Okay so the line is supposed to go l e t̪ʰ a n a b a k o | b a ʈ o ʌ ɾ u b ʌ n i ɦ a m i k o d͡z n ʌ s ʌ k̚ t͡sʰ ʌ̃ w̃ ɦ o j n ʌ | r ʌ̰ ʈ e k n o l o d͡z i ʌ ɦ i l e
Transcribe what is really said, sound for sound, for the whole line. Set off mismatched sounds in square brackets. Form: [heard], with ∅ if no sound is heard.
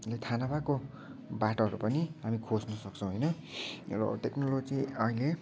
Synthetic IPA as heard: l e t̪ʰ a n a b a k o | b a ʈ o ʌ ɾ u [p] ʌ n i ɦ a m i [kʰ] o d͡z n ʌ s ʌ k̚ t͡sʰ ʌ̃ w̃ ɦ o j n ʌ | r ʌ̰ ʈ e k n o l o d͡z i ʌ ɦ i l e